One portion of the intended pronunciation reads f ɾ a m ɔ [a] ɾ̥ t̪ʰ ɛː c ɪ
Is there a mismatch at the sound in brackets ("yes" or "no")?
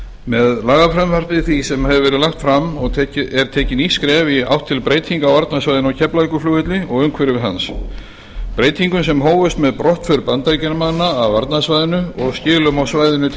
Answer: yes